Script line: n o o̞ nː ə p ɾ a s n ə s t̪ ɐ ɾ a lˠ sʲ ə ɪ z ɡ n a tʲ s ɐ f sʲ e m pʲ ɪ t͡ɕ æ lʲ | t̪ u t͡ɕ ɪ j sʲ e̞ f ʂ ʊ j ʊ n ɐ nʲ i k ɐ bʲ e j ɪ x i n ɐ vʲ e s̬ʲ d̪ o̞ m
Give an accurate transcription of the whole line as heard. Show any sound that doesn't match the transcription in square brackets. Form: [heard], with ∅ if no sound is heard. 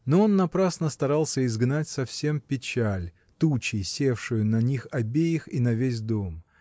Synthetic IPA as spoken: n o o̞ nː [ɐ] p ɾ a s n ə s t̪ ɐ ɾ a lˠ sʲ ə ɪ z ɡ n a tʲ s ɐ f sʲ e m pʲ ɪ t͡ɕ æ lʲ | t̪ u t͡ɕ ɪ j sʲ e̞ f ʂ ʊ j ʊ n ɐ nʲ i [x] ɐ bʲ e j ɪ x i n ɐ vʲ e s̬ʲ d̪ o̞ m